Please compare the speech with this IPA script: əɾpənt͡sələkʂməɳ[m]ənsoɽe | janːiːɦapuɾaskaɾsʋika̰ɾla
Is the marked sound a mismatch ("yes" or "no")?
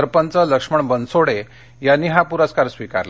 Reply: yes